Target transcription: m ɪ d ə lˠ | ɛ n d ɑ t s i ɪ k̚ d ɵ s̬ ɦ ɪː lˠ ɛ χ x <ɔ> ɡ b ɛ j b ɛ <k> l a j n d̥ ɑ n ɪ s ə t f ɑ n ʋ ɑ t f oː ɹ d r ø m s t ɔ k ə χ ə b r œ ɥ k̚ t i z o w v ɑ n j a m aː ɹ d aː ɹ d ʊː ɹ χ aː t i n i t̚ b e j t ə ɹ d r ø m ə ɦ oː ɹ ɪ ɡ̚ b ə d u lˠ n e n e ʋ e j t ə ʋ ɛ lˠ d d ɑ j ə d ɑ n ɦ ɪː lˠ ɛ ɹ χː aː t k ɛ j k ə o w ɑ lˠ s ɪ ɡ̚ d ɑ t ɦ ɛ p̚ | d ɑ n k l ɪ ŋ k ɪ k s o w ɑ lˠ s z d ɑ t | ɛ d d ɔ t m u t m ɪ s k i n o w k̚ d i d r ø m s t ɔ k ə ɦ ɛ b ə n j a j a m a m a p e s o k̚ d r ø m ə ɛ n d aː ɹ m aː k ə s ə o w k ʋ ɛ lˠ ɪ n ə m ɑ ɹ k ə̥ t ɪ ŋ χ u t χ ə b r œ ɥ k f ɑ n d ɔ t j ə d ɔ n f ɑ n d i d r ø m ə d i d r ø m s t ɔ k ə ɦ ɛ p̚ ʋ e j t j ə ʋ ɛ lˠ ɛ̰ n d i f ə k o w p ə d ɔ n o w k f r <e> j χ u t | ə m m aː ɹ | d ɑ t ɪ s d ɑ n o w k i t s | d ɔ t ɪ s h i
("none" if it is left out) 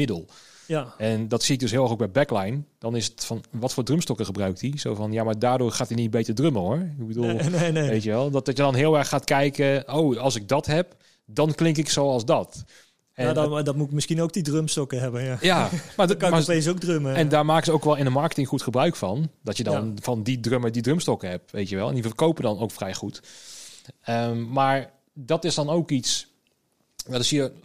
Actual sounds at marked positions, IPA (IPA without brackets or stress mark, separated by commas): o, k, ɛ